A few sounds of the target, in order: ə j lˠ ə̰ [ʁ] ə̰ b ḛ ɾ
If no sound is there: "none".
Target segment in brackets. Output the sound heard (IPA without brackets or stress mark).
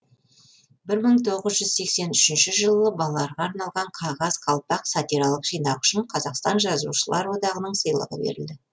ʁ